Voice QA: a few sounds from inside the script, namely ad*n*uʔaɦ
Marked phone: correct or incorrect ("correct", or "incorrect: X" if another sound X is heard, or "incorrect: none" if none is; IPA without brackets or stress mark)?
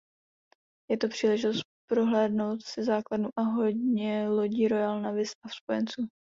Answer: correct